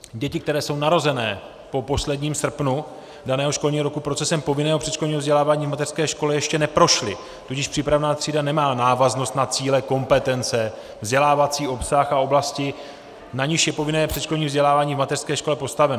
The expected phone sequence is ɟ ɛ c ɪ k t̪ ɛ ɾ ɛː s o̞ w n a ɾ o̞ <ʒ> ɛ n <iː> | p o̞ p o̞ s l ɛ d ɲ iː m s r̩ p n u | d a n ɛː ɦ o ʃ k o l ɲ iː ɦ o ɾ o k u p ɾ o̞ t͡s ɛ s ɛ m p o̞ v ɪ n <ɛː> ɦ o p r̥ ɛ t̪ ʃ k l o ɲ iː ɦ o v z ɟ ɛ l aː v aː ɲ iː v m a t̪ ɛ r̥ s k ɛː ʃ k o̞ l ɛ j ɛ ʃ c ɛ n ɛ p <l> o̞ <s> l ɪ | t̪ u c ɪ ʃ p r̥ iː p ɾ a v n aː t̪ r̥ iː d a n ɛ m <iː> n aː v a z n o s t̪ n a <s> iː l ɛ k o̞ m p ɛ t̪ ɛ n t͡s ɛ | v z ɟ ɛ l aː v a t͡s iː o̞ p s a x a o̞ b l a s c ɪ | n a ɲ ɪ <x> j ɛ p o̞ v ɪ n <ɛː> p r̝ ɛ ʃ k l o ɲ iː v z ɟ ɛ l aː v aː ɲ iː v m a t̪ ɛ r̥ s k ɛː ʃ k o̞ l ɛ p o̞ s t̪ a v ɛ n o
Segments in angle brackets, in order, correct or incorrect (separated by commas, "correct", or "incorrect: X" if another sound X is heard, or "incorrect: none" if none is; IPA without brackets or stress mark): incorrect: z, incorrect: ɛː, correct, incorrect: ɾ, incorrect: ʃ, incorrect: aː, incorrect: t͡s, incorrect: ʃ, correct